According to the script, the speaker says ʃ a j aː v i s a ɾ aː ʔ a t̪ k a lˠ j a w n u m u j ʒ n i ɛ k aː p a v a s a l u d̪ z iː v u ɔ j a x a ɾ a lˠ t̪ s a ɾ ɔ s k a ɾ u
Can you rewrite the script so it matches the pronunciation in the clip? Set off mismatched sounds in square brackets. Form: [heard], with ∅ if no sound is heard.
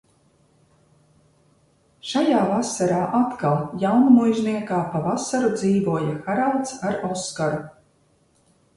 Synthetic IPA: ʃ a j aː v [a] s a ɾ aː ʔ a t̪ k a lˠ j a w n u m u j ʒ n i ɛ k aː p a v a s a [ɾ] u d̪ z iː v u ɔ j a x a ɾ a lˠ t̪ s a ɾ ɔ s k a ɾ u